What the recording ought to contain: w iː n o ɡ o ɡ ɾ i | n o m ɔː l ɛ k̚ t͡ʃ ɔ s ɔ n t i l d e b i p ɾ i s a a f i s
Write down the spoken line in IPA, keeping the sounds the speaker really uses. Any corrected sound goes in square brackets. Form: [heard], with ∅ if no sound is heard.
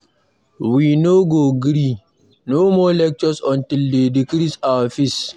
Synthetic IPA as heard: w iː n o ɡ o ɡ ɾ i | n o m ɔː l ɛ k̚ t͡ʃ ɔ s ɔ n t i l d e [d] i [k] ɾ i s a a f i s